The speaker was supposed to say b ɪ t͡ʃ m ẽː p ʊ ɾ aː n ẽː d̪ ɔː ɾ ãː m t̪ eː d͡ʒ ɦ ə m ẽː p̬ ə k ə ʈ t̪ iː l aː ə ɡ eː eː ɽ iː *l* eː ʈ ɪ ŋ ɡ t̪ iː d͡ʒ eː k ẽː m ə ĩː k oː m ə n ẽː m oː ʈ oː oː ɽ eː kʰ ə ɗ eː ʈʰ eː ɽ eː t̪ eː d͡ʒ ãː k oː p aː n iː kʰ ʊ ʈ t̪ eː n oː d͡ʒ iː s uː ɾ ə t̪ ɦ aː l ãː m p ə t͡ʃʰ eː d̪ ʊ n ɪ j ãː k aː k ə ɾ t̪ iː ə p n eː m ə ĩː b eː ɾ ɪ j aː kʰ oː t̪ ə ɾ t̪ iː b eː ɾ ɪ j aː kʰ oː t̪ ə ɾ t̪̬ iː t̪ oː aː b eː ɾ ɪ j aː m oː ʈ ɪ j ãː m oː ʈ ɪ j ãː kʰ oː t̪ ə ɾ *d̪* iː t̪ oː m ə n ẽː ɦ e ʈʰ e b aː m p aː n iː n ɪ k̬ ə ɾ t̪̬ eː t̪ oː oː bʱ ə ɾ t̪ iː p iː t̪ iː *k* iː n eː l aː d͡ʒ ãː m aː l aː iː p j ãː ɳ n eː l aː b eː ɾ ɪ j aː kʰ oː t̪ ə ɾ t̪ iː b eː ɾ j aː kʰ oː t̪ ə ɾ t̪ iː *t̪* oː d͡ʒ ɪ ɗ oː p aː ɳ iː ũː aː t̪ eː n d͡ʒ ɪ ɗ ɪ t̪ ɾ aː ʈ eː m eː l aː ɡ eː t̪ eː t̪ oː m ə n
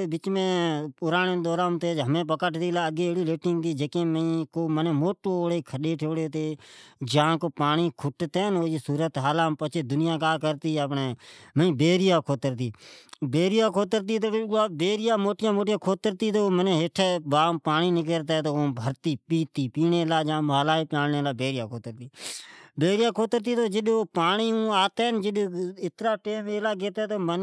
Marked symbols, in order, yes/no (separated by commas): yes, no, no, yes